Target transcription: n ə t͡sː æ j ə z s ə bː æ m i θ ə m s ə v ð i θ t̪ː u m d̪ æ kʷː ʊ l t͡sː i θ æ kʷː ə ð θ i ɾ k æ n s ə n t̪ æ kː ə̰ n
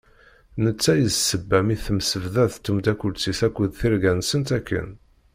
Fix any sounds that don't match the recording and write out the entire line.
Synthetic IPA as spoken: n ə t͡sː æ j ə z s ə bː æ m i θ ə m s ə v ð æ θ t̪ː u m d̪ æ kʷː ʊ l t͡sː i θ æ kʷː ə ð θ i ɾ ɡ æ n s ə n t̪ æ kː ə̰ n